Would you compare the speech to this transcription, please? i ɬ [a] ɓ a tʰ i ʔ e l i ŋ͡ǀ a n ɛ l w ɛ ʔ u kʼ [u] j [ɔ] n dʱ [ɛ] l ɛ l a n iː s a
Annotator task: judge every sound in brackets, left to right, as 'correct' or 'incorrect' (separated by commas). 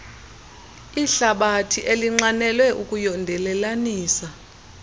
correct, correct, correct, correct